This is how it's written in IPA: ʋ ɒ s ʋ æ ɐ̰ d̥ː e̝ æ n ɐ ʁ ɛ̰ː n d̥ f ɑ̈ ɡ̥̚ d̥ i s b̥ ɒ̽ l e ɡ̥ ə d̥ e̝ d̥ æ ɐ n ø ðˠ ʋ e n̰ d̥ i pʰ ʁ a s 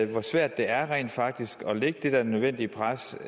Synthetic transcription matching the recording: ʋ ɒ s ʋ æ ɐ̰ d̥ː e̝ æ ɐ ʁ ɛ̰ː n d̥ f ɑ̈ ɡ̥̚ d̥ i s ɡ̥ ɒ̽ l e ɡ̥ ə d̥ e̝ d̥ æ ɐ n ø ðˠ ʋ e n̰ d̥ i pʰ ʁ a s